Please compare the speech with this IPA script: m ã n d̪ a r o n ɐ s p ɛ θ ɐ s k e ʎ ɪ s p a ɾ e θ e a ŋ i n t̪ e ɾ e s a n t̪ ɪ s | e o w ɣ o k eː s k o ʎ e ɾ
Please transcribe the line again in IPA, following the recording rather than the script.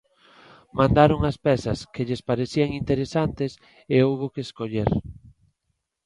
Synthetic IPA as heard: m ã n d̪ a ɾ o ŋ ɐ s p ɛ s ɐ s k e ʎ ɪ s p a ɾ e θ i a ŋ i n t̪ e ɾ e s a n t̪ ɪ s | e o w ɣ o k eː s k o ʎ e ɾ